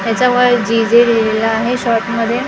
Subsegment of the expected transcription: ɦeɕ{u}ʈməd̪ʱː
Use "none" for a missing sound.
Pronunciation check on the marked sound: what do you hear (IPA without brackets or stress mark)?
ɔ